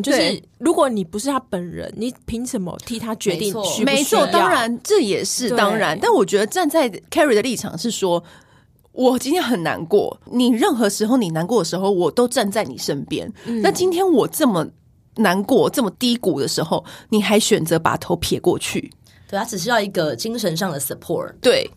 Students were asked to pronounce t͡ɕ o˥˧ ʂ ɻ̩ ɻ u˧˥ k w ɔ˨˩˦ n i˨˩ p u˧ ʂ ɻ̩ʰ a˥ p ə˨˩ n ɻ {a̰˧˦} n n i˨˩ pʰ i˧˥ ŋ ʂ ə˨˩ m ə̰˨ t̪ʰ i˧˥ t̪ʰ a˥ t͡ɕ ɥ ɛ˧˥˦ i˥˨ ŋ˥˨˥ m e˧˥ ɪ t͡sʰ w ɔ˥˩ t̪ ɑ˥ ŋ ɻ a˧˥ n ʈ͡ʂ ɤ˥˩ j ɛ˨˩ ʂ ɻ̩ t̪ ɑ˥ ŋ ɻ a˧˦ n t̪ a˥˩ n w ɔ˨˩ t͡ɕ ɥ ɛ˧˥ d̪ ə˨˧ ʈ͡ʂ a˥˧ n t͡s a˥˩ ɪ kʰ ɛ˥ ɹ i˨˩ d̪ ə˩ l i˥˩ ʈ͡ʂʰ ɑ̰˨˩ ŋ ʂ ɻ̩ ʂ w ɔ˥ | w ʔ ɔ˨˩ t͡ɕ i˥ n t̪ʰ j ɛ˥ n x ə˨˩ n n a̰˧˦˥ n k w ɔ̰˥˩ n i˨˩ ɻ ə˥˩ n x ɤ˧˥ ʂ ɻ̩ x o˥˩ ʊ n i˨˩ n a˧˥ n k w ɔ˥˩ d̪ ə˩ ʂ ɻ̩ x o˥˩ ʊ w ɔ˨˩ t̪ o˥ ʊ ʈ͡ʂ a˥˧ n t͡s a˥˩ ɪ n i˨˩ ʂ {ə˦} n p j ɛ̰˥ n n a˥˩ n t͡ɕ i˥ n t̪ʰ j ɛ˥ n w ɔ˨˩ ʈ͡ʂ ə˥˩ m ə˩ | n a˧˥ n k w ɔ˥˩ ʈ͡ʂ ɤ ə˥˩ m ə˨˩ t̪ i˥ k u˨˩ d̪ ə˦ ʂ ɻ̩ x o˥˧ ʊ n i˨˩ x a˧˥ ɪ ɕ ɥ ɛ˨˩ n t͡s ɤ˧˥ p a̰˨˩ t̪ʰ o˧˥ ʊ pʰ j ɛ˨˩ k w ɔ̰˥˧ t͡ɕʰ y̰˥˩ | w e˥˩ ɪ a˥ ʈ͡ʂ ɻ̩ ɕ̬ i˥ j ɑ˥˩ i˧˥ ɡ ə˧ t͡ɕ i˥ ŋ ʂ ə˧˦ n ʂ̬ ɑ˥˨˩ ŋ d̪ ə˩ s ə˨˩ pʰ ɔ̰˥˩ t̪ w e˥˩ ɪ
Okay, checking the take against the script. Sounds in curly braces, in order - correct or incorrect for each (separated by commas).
incorrect, correct